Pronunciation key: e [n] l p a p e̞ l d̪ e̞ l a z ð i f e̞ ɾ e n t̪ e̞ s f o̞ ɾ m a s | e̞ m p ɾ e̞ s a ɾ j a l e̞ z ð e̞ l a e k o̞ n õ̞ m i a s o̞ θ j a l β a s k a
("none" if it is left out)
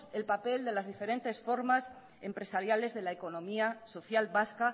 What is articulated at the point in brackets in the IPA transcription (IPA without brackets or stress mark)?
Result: none